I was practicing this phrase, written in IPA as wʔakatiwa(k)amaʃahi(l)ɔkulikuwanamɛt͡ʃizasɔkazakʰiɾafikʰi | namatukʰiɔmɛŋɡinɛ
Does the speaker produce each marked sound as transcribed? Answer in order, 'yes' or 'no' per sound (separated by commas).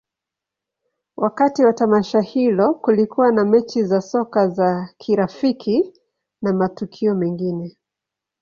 no, yes